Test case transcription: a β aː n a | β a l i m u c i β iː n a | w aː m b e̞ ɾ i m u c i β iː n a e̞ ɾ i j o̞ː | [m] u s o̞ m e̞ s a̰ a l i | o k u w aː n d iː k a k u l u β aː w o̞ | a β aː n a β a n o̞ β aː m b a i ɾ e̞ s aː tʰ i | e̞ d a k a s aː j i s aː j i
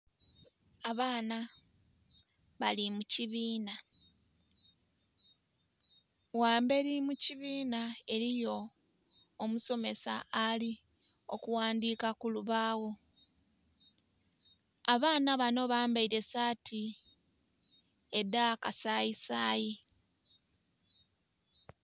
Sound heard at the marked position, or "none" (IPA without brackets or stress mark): m